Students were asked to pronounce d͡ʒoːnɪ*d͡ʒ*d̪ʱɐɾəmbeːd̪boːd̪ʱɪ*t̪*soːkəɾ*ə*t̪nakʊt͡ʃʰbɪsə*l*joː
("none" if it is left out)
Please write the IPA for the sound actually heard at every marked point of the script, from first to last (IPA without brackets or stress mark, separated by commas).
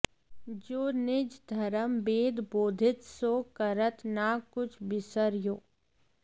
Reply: d͡ʒ, t̪, ə, ɾ